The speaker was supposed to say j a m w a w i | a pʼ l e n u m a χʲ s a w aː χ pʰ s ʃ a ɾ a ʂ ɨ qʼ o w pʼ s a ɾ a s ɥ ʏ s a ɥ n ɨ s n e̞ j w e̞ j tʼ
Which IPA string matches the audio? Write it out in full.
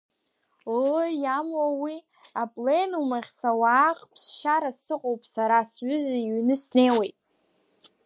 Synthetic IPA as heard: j a m w a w i | a pʼ l e n u m a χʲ s a w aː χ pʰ s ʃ a ɾ a s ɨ qʼ o w pʼ s a ɾ a s ɥ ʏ z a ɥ n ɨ s n e̞ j w e̞ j tʼ